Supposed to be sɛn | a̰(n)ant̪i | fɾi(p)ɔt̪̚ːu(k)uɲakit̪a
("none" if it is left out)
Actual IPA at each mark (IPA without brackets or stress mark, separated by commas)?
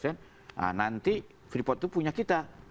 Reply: n, p, p